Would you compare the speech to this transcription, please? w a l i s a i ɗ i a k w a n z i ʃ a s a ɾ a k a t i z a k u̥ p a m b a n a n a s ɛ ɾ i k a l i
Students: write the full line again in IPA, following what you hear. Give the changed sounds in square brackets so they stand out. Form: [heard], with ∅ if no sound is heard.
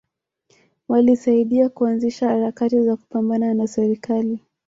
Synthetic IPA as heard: w a l i s a i ɗ i a k [u] a n z i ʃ a [h] a ɾ a k a t i z a k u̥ p a m b a n a n a s ɛ ɾ i k a l i